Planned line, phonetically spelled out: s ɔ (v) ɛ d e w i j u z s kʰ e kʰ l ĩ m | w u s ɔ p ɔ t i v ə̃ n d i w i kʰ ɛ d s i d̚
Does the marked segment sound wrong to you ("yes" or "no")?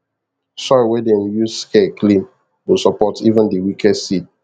yes